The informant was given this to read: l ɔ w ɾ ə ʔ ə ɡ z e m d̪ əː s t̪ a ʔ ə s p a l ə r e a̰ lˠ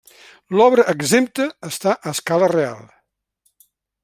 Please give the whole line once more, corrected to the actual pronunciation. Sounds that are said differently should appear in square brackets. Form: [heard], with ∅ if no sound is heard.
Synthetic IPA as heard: l ɔ [β] ɾ ə ʔ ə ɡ z e m [t̪] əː s t̪ a ʔ ə s [k] a l ə r e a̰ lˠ

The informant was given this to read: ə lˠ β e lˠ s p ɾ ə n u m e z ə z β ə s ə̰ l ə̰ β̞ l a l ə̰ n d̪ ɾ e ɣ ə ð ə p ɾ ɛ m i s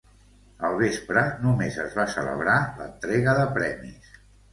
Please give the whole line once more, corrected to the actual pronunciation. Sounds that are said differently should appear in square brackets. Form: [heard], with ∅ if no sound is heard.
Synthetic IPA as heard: ə lˠ β e [∅] s p ɾ ə n u m e z ə z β [a] s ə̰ l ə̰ β̞ [ɾ] a l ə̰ n [t̪] ɾ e ɣ ə ð ə p ɾ ɛ m i s

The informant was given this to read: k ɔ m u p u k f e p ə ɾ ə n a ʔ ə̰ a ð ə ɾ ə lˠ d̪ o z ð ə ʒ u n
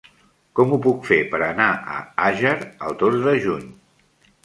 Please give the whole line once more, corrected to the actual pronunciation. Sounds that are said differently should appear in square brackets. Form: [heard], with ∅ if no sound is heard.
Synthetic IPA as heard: k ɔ m u p u k f e p ə ɾ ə n a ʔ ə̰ a [ʒ] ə ɾ ə lˠ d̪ o z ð ə ʒ u [ɲ]

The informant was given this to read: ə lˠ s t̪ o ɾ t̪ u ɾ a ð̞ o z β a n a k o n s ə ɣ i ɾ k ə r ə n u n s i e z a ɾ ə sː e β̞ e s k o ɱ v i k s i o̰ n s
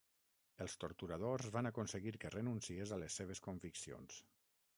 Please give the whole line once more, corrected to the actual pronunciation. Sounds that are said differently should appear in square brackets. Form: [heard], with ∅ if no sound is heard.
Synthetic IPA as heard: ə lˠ s t̪ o ɾ t̪ u ɾ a ð̞ o z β a n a k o n s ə ɣ i ɾ k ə r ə n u n s i e z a [l] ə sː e β̞ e s k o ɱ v i k s i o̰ n s

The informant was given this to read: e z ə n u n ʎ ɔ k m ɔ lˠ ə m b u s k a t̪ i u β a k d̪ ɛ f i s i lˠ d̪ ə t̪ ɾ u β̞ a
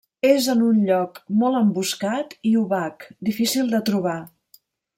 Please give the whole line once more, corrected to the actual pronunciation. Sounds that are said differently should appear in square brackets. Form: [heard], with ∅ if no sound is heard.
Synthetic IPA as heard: e z ə n u n ʎ ɔ k m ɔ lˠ ə m b u s k a t̪ i u β a k d̪ [i] f i s i lˠ d̪ ə t̪ ɾ u β̞ a

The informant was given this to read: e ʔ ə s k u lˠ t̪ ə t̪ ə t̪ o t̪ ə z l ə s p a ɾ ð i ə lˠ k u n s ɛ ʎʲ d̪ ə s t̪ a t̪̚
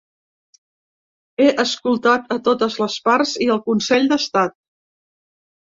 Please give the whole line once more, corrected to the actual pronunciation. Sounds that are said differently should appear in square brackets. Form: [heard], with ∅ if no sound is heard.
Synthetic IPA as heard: e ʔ ə s k u lˠ t̪ [a] t̪ ə t̪ o t̪ ə z l ə s p a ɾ [z] i ə lˠ k u n s ɛ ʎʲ d̪ ə s t̪ a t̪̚

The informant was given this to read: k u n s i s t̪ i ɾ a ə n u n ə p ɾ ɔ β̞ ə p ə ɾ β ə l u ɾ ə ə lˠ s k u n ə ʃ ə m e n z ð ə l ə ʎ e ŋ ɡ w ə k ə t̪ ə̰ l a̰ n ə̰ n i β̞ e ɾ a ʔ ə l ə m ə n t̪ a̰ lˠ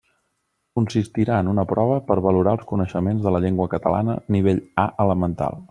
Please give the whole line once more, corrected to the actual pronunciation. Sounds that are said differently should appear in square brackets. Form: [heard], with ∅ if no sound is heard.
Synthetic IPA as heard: k u n s i s t̪ i ɾ a ə n u n ə p ɾ ɔ β̞ ə p ə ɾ β ə l u ɾ [a] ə lˠ s k u n ə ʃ ə m e n z ð ə l ə ʎ e ŋ ɡ w ə k ə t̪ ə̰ l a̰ n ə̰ n i β̞ e [ʎ] a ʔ ə l ə m ə n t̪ a̰ lˠ

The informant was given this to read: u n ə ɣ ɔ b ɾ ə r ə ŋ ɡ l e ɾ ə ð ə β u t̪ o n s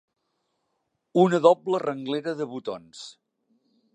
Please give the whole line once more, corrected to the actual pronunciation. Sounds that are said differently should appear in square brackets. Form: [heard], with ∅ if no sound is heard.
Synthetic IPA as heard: u n ə [ð] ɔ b [l] ə r ə ŋ ɡ l e ɾ ə ð ə β u t̪ o n s

